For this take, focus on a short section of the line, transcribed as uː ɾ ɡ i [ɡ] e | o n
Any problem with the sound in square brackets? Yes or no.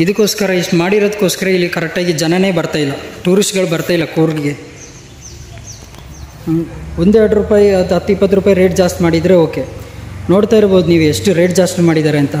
no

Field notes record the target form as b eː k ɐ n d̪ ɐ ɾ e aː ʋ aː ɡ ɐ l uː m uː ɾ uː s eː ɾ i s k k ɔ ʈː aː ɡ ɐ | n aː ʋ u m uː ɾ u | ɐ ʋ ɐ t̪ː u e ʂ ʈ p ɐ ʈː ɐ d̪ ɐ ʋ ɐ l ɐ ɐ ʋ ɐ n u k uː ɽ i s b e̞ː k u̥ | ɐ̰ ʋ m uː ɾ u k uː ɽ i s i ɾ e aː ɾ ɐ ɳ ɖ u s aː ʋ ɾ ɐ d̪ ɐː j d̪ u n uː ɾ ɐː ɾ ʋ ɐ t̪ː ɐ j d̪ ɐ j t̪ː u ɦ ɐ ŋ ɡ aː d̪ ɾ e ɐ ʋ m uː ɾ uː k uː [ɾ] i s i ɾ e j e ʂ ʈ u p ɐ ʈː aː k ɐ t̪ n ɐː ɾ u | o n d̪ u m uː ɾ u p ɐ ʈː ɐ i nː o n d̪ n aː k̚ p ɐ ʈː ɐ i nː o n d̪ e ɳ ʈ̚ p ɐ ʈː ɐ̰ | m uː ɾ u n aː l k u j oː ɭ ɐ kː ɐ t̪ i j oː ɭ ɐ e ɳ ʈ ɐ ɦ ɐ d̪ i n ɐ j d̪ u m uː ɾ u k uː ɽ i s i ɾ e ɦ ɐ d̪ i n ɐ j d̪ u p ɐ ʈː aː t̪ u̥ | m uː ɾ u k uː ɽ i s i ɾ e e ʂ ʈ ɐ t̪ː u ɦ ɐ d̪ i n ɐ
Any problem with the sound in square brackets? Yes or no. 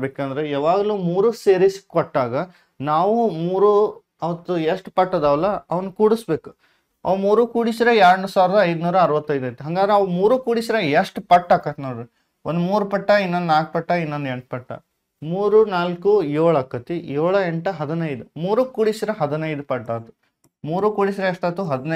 yes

